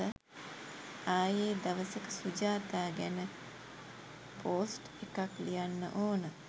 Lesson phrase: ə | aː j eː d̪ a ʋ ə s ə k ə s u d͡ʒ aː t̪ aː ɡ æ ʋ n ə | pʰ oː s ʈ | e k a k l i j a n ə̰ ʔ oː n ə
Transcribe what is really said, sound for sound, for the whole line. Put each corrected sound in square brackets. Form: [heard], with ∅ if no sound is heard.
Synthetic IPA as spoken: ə | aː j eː d̪ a ʋ ə s ə k ə s u d͡ʒ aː t̪ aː ɡ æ [∅] n ə | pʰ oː s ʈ | e k a k l i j a [nː] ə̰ ʔ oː n ə

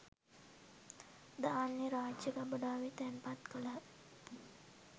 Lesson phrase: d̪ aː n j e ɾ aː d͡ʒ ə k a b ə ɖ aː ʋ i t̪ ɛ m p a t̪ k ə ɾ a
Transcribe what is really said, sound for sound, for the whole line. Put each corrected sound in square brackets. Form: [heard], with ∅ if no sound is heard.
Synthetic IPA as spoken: d̪ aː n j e ɾ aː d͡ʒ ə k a b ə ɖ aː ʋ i t̪ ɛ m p a t̪ k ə [l] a

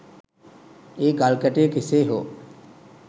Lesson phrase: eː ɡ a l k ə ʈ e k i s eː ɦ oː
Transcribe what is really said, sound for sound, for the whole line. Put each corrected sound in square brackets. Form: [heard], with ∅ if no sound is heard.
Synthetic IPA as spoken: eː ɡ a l k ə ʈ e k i s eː ɦ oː

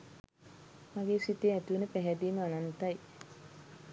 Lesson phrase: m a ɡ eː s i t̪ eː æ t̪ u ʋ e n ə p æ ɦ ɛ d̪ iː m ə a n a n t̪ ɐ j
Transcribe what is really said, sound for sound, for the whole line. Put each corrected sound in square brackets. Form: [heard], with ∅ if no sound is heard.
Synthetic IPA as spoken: m a ɡ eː s i t̪ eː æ t̪ u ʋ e n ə p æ ɦ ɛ d̪ iː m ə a n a n t̪ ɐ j

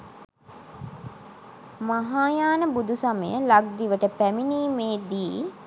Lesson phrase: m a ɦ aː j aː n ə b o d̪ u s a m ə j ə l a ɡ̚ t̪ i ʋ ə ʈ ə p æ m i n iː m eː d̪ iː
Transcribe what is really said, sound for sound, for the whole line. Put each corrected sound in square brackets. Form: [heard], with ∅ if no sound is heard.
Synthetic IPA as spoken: m a ɦ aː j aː n ə b [u] d̪ u s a m ə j ə l a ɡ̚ [d̪] i ʋ ə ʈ ə p æ m i n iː m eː d̪ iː

